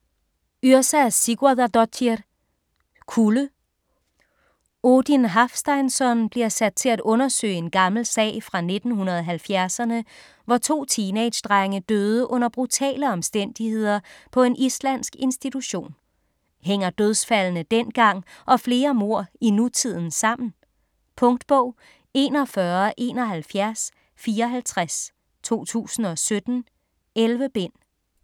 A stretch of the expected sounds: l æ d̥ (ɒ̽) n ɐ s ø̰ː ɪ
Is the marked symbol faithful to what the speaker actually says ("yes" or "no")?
no